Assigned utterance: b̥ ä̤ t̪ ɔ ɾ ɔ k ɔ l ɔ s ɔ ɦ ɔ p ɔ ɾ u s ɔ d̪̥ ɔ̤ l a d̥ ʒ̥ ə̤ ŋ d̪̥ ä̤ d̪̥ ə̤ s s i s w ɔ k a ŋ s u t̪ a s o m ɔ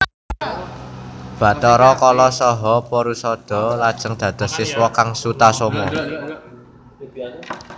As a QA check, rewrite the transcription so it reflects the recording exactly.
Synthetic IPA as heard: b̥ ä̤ t̪ ɔ ɾ ɔ k ɔ l ɔ s ɔ ɦ ɔ p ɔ ɾ u s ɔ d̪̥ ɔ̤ l a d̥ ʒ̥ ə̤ ŋ d̪̥ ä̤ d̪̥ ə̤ s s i s w ɔ k a ŋ s u t̪ a s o m ɔ